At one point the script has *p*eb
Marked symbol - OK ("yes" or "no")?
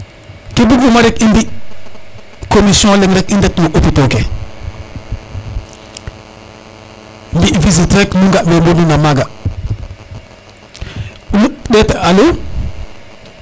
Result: no